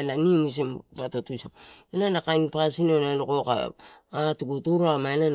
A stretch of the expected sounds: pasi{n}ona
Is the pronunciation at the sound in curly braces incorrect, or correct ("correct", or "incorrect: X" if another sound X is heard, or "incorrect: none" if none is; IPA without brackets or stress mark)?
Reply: correct